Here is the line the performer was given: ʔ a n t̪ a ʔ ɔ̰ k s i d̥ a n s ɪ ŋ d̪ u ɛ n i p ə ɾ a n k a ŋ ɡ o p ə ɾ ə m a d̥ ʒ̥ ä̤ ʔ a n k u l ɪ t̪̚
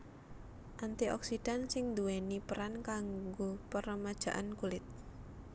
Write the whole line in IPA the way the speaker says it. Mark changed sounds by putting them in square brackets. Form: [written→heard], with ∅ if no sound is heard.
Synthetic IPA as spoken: ʔ a n t̪ [a→i] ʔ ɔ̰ k s i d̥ a n s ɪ ŋ d̪ u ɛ n i p ə ɾ a n k a ŋ ɡ o p ə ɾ ə m a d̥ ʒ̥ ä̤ ʔ a n k u l ɪ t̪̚